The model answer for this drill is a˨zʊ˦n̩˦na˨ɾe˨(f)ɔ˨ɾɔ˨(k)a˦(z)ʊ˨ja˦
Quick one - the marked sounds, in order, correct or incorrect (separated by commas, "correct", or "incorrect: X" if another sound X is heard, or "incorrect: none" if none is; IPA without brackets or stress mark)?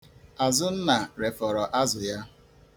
correct, incorrect: ʔ, correct